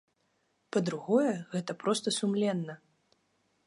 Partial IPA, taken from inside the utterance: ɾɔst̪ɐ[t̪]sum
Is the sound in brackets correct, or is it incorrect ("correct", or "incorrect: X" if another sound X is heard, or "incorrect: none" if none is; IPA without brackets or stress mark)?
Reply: incorrect: none